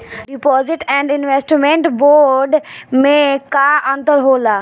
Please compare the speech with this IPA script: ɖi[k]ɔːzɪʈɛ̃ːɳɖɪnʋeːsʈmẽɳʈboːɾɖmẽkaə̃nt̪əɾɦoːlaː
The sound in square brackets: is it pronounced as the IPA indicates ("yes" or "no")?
no